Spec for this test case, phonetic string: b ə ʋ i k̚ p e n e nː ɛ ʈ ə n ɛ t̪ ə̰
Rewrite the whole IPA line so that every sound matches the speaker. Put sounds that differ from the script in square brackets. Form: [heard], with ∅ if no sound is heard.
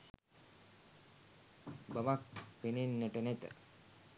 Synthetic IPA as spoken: b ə ʋ [a] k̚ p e n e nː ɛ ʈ ə n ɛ t̪ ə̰